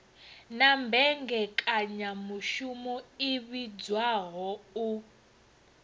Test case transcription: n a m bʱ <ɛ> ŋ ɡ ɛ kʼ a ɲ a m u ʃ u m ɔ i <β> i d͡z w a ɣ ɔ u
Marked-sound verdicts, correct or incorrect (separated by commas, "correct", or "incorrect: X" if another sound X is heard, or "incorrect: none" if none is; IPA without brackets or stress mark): correct, correct